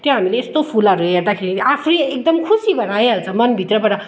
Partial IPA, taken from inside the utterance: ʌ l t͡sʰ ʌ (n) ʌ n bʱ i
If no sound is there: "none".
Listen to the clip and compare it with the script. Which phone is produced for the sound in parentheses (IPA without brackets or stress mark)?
m